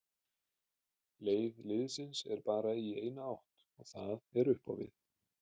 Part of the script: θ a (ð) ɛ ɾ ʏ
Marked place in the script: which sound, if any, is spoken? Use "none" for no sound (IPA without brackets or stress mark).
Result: ð